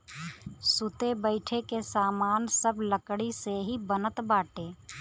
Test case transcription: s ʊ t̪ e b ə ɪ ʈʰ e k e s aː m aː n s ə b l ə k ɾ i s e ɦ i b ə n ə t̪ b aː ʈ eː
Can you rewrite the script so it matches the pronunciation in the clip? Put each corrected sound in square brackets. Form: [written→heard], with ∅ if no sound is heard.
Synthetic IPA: s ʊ t̪ e b ə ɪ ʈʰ e k e s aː m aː n s ə b l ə k [ɾ→ɽ] i s e ɦ i b ə n ə t̪ b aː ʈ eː